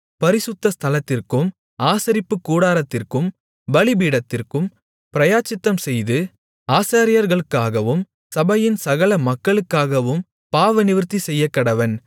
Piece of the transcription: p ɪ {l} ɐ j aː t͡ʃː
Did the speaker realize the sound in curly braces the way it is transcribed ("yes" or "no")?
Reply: no